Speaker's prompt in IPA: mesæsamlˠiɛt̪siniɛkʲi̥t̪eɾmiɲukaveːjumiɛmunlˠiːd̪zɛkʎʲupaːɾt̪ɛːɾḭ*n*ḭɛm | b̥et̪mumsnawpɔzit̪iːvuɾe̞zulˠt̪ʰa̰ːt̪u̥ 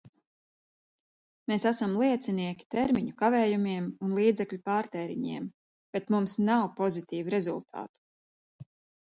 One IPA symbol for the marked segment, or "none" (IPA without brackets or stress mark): ɲ